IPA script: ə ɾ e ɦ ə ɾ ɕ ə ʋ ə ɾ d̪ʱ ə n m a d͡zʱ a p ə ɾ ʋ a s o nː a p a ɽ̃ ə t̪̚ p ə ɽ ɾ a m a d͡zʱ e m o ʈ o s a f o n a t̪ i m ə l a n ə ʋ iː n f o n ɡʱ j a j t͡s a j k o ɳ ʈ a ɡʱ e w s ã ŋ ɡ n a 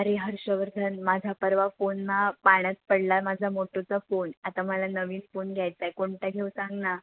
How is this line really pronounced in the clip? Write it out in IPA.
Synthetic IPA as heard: ə ɾ e ɦ ə ɾ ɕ ə ʋ ə ɾ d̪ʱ ə n m a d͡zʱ a p ə ɾ ʋ a f o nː a p a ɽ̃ ə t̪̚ p ə ɽ l a m a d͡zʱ a m o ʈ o t͡s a f o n a t̪ a m ə l a n ə ʋ iː n f o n ɡʱ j a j t͡s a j k o ɳ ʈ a ɡʱ e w s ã ŋ ɡ n a